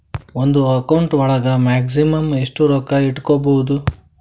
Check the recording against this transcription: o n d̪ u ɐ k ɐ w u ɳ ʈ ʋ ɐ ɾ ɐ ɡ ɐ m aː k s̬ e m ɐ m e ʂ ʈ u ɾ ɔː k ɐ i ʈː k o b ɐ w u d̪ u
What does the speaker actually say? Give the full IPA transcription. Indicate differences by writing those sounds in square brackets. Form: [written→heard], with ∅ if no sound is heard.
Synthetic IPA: o n d̪ u ɐ k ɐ w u ɳ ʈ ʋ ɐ [ɾ→ɭ] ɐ ɡ ɐ m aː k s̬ [e→i] m ɐ m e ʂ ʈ u ɾ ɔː k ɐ i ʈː k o b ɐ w u d̪ u

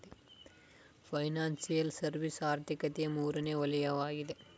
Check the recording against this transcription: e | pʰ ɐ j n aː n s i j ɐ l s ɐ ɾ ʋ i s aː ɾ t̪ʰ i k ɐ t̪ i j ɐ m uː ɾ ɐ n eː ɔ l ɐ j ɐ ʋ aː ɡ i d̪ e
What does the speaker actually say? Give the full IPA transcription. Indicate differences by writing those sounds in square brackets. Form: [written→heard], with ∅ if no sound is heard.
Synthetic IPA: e | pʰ ɐ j n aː n s i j ɐ l s ɐ ɾ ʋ i s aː ɾ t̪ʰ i k ɐ t̪ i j ɐ m uː ɾ ɐ n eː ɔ l ɐ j ɐ ʋ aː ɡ i d̪ e

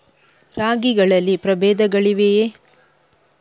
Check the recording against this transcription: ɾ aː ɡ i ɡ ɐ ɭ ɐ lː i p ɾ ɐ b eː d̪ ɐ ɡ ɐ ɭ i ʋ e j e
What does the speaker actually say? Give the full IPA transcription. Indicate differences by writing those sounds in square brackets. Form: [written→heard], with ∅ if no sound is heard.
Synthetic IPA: ɾ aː ɡ i ɡ ɐ ɭ ɐ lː i p ɾ ɐ b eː d̪ ɐ ɡ ɐ ɭ i ʋ e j e

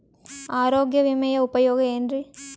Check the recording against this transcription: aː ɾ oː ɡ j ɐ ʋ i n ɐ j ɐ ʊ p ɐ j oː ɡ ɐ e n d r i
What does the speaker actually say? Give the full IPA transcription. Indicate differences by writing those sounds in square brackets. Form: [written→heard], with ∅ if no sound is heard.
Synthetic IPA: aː ɾ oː ɡ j ɐ ʋ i [n→m] ɐ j ɐ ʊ p ɐ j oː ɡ ɐ e n d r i

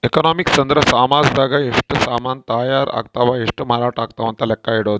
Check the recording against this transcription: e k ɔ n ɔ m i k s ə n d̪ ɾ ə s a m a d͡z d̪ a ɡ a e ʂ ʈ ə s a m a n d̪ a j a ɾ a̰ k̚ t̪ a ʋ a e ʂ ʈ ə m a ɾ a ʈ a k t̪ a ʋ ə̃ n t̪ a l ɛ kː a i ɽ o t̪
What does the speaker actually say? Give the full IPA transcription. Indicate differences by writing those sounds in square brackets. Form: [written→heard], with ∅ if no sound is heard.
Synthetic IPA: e k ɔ n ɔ m i k s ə n d̪ ɾ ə s a m a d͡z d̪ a ɡ a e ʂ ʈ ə s a m a n [d̪→t̪] a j a ɾ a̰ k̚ t̪ a ʋ a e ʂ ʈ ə m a ɾ a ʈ a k t̪ a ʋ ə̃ n t̪ a l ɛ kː a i ɽ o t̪

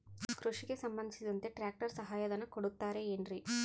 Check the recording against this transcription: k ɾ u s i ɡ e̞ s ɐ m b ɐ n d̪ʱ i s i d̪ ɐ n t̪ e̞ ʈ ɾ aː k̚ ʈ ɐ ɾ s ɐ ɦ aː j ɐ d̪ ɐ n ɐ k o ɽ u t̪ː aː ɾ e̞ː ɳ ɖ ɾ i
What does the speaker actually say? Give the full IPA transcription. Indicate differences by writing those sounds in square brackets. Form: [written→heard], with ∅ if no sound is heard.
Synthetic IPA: k ɾ u [s→ʂ] i ɡ e̞ s ɐ m b ɐ n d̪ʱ i s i d̪ ɐ n t̪ e̞ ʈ ɾ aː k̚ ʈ ɐ ɾ s ɐ ɦ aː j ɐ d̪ ɐ n ɐ k o ɽ u t̪ː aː ɾ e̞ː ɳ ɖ ɾ i

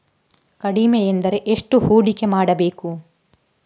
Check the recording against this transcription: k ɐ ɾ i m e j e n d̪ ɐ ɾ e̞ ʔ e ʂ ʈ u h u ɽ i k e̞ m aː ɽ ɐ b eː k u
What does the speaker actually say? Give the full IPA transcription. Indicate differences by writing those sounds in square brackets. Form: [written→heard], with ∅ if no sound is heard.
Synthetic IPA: k ɐ [ɾ→ɽ] i m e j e n d̪ ɐ ɾ e̞ ʔ e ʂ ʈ u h [u→uː] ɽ i k e̞ m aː ɽ ɐ b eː k u

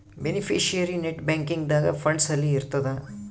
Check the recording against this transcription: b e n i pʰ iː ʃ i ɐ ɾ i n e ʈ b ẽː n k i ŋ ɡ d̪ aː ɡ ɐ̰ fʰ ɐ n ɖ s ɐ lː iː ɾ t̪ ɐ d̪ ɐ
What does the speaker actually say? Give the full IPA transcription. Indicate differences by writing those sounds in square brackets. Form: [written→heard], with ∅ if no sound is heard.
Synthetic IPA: b e n i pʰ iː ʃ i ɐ ɾ i n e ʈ b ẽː [n→ŋ] k i ŋ ɡ d̪ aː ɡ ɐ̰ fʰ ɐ [n→ɳ] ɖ s ɐ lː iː ɾ t̪ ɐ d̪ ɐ

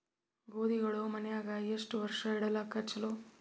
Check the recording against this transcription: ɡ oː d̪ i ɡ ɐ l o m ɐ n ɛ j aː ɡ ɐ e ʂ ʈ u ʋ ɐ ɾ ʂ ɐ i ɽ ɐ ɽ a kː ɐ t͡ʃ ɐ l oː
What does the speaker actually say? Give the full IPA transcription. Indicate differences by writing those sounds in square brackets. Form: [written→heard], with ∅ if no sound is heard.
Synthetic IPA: ɡ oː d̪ i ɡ ɐ [l→ɭ] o m ɐ n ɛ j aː ɡ ɐ e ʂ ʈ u ʋ ɐ ɾ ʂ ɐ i ɽ ɐ [ɽ→l] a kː ɐ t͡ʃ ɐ l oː

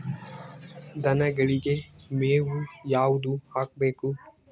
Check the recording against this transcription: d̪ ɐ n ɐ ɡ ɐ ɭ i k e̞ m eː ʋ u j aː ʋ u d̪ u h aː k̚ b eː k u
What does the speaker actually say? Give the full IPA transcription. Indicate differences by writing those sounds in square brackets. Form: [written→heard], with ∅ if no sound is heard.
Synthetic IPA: d̪ ɐ n ɐ ɡ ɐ ɭ i [k→ɡ] e̞ m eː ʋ u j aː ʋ u d̪ u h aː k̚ b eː k u

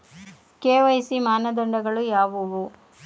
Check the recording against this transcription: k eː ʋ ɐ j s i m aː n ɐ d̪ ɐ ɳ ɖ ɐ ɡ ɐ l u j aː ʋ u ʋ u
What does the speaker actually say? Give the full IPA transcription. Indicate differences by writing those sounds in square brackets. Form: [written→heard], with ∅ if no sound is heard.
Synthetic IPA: k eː ʋ ɐ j s i m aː n ɐ d̪ ɐ ɳ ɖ ɐ ɡ ɐ [l→ɭ] u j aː ʋ u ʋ u

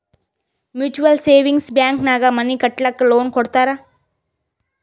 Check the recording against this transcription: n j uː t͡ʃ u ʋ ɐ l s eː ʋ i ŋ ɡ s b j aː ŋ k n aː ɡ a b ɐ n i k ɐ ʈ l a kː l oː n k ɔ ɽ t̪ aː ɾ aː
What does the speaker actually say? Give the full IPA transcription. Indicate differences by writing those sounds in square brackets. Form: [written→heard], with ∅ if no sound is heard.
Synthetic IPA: [n→m] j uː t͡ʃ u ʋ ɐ l s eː ʋ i ŋ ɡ s b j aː ŋ k n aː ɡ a [b→m] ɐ n i k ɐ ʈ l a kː l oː n k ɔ ɽ t̪ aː ɾ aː

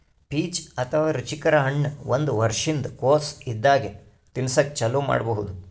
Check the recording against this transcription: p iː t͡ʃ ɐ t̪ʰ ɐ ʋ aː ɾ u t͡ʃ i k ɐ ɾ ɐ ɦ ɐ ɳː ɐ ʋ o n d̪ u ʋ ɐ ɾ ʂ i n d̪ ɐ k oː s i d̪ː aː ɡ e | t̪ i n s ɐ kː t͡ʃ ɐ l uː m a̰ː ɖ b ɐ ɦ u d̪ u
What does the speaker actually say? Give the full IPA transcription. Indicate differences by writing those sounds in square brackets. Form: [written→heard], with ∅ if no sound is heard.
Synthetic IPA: p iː t͡ʃ ɐ t̪ʰ ɐ ʋ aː ɾ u t͡ʃ i k ɐ ɾ ɐ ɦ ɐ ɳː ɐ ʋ o n d̪ u ʋ ɐ ɾ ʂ i n d̪ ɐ k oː s i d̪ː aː ɡ e | t̪ i n s ɐ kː t͡ʃ ɐ l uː m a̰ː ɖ b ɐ ɦ u d̪ u

